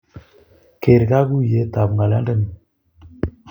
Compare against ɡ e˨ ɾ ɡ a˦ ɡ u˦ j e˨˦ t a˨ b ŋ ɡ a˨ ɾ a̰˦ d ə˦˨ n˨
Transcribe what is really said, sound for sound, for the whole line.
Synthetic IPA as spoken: k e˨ ɾ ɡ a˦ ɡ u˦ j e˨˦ t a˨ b ŋ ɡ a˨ l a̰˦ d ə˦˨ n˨

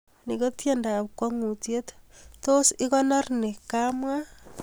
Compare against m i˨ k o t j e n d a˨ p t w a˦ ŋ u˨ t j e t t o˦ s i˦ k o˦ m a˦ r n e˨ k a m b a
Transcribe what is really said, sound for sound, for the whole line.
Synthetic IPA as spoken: n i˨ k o t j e n d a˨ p k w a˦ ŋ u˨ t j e t t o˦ s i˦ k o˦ n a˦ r n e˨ k a m w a

